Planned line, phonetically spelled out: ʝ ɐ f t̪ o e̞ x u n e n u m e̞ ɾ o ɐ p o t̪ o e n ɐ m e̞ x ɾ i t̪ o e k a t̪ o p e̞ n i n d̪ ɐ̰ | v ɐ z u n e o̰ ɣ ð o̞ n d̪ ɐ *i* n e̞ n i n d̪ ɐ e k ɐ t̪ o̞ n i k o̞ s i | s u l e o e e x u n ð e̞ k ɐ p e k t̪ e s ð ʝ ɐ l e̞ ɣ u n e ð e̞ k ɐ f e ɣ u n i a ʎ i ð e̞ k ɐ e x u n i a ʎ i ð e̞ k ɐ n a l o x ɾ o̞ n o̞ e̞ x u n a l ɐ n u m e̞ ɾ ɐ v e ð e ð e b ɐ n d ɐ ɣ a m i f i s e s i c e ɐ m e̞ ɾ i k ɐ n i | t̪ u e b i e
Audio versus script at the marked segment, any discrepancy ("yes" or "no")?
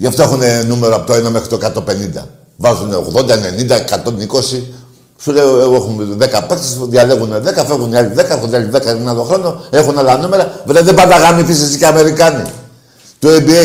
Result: yes